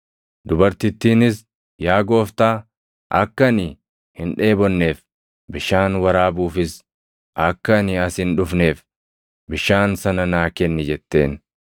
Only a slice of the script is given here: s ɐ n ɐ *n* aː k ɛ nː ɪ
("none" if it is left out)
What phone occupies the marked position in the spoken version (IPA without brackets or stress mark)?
n